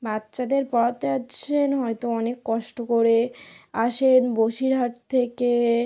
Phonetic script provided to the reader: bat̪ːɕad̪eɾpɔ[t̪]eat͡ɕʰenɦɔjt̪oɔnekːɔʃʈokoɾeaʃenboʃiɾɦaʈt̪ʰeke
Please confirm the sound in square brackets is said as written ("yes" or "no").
yes